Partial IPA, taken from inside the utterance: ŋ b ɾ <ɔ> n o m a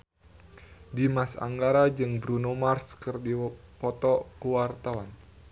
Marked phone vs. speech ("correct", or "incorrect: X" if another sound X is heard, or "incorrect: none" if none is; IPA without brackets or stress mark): incorrect: u